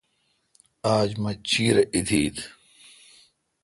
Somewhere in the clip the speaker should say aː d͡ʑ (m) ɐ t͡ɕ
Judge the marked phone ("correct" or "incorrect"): correct